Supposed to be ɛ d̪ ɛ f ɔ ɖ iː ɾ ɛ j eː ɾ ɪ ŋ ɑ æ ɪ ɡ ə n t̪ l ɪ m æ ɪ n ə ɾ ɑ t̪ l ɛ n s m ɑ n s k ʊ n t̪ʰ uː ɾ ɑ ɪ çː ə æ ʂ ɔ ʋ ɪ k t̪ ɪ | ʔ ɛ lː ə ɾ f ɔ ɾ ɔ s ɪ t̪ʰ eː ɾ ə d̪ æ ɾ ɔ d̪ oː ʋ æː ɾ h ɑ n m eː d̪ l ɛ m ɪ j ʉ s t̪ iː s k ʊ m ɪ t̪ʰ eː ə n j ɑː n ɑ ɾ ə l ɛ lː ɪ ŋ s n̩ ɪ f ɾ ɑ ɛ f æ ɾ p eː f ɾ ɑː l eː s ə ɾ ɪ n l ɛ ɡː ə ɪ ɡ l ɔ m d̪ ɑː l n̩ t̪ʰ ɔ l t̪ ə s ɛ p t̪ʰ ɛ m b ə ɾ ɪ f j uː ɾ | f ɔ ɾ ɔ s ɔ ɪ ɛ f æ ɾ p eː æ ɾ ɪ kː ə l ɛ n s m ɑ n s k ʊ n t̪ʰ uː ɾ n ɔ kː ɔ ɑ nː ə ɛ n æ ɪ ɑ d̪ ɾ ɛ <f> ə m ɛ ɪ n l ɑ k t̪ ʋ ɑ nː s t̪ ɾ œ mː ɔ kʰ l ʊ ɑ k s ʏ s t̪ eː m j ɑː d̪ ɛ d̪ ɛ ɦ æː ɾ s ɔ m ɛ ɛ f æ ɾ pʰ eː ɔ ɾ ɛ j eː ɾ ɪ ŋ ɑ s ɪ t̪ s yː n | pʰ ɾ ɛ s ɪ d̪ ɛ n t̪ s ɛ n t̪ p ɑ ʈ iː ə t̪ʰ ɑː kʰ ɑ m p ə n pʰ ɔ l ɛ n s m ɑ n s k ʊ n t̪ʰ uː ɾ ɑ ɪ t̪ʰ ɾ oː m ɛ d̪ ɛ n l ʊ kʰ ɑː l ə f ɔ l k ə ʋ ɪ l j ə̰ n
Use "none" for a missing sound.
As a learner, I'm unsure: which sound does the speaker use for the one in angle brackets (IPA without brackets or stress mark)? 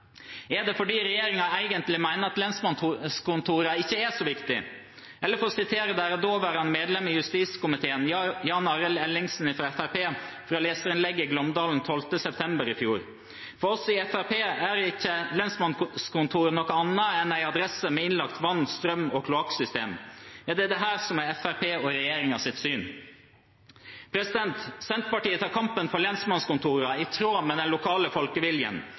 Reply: s